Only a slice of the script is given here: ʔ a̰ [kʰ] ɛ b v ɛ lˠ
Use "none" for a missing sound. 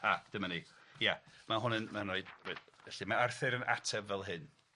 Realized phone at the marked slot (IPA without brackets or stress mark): tʰ